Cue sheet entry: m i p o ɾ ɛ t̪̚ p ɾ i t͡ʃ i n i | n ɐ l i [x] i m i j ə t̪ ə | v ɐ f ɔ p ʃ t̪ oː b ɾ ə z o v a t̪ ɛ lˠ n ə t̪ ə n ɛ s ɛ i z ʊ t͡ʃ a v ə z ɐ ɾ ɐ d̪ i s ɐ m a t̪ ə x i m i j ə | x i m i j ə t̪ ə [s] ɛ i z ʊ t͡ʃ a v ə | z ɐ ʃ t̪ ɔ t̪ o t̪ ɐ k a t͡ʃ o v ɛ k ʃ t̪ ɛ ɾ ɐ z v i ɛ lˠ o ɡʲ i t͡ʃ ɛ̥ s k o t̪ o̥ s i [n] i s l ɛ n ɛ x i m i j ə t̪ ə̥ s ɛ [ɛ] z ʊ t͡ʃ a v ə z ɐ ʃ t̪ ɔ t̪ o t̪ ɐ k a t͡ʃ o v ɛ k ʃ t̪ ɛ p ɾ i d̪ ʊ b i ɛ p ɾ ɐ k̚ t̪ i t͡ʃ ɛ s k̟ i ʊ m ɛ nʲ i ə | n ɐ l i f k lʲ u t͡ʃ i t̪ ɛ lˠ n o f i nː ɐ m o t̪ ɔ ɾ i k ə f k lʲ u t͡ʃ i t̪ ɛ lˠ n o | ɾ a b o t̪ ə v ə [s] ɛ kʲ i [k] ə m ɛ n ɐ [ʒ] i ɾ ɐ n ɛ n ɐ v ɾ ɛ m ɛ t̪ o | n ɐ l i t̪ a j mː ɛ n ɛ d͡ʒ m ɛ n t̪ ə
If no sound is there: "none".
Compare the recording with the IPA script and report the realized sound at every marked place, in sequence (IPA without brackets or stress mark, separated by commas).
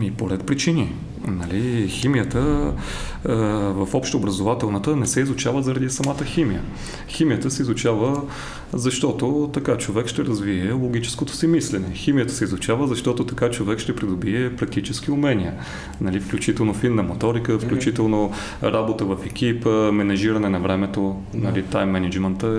x, s, m, i, f, p, ʒ